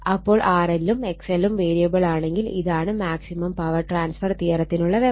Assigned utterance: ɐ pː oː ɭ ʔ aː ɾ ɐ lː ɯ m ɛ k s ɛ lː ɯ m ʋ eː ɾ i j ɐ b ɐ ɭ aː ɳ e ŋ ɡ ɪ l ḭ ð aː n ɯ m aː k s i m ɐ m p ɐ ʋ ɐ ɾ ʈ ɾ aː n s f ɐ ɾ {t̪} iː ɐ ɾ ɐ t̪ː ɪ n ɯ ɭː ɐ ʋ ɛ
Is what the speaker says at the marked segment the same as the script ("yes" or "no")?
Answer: yes